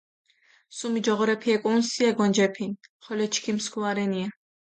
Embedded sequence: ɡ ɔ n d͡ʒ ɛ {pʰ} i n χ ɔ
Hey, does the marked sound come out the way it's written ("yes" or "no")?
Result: yes